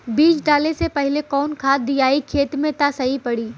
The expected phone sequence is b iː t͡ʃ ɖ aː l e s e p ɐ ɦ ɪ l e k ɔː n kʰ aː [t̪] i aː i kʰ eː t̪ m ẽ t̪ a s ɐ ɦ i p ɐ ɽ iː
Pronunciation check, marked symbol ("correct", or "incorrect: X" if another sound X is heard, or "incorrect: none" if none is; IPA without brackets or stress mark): incorrect: d̪